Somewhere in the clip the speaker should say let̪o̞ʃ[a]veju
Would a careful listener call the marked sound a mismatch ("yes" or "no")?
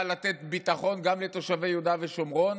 no